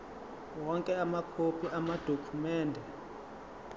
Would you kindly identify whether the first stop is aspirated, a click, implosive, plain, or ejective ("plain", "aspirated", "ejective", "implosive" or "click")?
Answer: ejective